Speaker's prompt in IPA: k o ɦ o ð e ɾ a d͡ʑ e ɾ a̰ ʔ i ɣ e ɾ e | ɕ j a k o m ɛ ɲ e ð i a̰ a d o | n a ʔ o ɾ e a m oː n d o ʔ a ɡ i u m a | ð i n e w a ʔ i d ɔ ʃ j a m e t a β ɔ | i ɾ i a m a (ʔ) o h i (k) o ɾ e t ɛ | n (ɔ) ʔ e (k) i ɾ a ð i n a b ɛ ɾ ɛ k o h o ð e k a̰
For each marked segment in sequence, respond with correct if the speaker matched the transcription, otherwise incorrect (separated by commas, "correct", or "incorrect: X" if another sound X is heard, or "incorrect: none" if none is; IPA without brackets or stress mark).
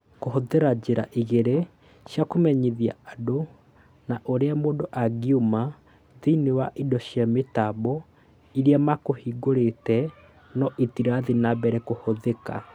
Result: incorrect: k, incorrect: ɡ, correct, incorrect: t